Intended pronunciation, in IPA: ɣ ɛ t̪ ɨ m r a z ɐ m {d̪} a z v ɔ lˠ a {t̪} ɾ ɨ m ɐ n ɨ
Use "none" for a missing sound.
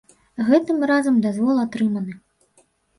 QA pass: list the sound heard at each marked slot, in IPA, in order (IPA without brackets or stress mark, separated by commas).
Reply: d̪, t̪